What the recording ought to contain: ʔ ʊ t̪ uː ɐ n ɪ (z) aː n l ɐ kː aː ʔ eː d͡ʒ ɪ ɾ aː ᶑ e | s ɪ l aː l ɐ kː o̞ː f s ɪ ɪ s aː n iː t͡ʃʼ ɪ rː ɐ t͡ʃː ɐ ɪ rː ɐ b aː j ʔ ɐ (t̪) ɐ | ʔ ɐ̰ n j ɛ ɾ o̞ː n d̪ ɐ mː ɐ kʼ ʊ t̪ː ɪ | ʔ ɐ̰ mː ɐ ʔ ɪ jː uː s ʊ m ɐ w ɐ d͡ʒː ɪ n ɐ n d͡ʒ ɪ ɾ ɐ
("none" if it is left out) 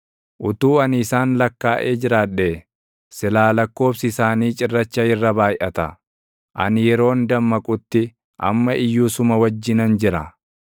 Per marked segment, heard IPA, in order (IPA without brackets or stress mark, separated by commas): s, t̪